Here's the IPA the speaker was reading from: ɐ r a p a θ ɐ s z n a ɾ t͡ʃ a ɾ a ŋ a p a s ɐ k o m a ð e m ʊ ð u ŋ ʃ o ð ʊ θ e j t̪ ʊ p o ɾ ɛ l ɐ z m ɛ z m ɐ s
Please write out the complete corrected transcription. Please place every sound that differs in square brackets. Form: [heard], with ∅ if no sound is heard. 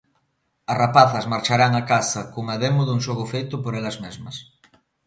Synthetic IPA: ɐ r a p a θ ɐ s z [m] a ɾ t͡ʃ a ɾ a ŋ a [k] a s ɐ k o [ŋ] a ð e m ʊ ð u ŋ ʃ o [ɣ] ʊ [f] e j t̪ ʊ p o ɾ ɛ l ɐ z m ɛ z m ɐ s